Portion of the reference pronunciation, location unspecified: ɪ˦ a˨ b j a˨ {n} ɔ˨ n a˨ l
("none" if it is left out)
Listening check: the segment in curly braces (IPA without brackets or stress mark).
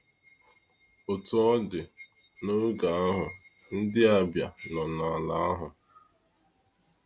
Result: n